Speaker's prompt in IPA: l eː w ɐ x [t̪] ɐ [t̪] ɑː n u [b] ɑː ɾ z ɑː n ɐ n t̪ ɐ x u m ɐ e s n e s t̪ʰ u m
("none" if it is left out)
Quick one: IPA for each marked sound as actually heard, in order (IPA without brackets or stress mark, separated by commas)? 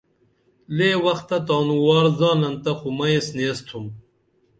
t̪, t̪, w